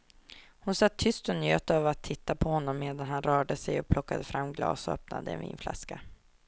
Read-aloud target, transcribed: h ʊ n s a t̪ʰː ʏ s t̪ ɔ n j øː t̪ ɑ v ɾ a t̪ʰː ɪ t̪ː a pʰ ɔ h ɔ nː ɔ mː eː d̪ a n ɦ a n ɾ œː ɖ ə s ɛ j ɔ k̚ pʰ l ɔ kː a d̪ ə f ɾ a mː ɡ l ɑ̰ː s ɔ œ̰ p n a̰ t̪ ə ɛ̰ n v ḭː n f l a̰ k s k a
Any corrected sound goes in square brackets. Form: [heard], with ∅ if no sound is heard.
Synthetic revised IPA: h ʊ n s a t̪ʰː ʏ s t̪ ɔ n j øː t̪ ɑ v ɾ a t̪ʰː ɪ t̪ː a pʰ ɔ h ɔ nː ɔ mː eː d̪ a n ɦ a n ɾ œː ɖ ə s ɛ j ɔ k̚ pʰ l ɔ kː a d̪ ə f ɾ a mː ɡ l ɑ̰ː s ɔ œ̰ p n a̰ [d̪] ə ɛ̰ n v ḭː n f l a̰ [∅] s k a